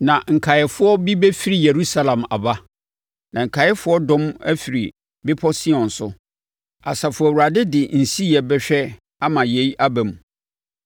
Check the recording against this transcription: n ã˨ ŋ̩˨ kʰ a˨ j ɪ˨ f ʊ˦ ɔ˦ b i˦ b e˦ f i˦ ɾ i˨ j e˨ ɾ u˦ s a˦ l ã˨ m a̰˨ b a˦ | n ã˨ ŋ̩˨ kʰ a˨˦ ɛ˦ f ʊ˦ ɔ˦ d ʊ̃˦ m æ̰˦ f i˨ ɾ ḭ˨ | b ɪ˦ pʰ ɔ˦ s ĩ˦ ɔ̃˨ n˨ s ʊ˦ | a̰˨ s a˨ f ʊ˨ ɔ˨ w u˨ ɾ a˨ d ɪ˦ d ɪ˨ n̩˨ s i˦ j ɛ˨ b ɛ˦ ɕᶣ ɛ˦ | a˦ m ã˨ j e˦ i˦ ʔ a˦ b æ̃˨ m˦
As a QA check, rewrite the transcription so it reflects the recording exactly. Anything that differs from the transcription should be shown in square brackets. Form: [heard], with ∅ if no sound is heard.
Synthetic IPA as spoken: n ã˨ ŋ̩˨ kʰ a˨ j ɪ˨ f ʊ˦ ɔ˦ b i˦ b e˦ f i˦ ɾ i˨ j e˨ ɾ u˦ s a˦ l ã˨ m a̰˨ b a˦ | n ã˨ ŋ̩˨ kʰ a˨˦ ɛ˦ f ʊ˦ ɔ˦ d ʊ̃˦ m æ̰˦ f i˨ ɾ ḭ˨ | b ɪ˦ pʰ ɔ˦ s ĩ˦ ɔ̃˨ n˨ s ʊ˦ | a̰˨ s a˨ f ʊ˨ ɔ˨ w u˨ ɾ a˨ d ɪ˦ d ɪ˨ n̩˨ s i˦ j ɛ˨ b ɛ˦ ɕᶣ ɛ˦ | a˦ m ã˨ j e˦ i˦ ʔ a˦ b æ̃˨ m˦

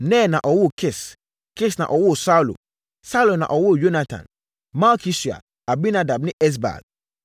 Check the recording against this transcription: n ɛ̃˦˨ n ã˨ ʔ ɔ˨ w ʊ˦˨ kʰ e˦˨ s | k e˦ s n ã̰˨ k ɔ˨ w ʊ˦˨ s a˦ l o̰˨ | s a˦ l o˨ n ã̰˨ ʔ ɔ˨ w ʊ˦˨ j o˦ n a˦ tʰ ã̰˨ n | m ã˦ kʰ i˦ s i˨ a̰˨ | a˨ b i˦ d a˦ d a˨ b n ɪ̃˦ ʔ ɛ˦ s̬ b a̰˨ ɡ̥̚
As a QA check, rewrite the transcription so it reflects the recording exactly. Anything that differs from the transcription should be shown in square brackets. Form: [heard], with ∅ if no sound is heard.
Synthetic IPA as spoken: n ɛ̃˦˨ n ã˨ ʔ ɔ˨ w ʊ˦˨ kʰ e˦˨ s | k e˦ s n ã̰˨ [ʔ] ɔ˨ w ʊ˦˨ s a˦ l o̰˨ | s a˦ l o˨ n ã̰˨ ʔ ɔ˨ w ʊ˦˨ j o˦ n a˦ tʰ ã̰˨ n | m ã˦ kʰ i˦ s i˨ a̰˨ | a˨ b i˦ [n] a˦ d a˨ b n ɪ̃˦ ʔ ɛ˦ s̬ b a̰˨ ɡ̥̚

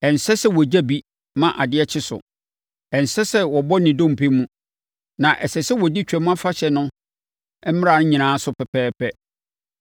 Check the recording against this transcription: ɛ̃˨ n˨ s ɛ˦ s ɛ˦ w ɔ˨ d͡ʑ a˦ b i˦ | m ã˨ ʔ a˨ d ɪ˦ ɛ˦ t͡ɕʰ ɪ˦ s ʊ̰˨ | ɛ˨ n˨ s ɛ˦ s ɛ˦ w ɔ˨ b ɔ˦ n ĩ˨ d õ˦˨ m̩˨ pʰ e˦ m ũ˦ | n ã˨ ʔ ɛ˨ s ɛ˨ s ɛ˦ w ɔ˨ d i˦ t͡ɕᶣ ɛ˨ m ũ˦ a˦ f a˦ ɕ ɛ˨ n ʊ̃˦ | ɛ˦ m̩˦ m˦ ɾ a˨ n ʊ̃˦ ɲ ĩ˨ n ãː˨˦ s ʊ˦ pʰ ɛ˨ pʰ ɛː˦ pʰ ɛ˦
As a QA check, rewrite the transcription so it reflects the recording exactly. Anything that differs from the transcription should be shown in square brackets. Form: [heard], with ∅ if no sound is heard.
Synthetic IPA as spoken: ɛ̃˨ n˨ s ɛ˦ s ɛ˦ w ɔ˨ d͡ʑ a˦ b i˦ | m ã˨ ʔ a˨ d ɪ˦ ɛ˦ t͡ɕʰ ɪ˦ s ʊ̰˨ | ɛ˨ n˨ s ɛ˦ s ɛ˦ w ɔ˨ b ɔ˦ n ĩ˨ d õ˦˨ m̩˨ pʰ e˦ m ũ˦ | n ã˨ ʔ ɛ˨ s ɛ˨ s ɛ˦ w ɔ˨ d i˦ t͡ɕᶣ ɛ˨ m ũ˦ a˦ f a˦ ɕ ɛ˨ n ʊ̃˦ | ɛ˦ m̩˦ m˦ ɾ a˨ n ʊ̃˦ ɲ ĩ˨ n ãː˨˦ s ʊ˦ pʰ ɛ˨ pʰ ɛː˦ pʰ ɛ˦

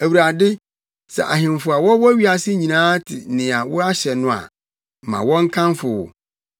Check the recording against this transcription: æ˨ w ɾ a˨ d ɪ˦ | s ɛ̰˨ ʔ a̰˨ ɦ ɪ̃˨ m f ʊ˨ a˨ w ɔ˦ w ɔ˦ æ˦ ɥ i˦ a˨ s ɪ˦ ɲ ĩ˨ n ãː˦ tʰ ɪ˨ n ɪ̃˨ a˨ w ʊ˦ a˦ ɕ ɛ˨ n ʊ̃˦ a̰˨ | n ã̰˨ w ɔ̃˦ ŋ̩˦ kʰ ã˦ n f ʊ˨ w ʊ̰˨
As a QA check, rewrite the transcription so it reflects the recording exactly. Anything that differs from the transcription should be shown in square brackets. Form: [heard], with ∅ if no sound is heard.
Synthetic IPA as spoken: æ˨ w ɾ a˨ d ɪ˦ | s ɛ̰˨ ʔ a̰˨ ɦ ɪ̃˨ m f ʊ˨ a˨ w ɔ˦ w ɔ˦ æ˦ ɥ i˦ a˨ s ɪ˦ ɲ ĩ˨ n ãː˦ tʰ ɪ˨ n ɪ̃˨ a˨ w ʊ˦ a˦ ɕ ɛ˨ n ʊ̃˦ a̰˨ | [m] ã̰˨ w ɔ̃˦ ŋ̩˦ kʰ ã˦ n f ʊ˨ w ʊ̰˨

